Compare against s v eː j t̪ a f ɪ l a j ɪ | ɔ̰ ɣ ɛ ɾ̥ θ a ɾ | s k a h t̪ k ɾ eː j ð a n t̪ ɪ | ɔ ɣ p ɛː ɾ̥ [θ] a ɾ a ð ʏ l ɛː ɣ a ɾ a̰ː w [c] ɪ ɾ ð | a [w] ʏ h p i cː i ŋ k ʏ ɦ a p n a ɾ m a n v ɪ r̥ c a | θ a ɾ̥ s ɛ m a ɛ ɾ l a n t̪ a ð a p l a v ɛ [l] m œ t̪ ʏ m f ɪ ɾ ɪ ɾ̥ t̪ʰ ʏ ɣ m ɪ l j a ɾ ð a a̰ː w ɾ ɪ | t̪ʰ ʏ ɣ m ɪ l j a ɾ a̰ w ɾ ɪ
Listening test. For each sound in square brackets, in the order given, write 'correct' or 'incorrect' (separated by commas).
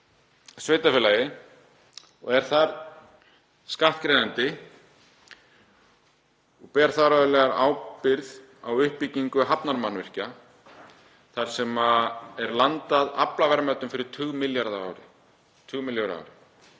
correct, incorrect, correct, incorrect